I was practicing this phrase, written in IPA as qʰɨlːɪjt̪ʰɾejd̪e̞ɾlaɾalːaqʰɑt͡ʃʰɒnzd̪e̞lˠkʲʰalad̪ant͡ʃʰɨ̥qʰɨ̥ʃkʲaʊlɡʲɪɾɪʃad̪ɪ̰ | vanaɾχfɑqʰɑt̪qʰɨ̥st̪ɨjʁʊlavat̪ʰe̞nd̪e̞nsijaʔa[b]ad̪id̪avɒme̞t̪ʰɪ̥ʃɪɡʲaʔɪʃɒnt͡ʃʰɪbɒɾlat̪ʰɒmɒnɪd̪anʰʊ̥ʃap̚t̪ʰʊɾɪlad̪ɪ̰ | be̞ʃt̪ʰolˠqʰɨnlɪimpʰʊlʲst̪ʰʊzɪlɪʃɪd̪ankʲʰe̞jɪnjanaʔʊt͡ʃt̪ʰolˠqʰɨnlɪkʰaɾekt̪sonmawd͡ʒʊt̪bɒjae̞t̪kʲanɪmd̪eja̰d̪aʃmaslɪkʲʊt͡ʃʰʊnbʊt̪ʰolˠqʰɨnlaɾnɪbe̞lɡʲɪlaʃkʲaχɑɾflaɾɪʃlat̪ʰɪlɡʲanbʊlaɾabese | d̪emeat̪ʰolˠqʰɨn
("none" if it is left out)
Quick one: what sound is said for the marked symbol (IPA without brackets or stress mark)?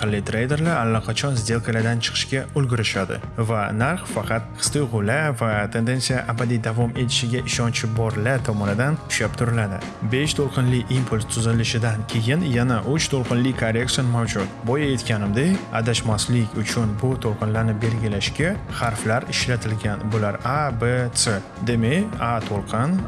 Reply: b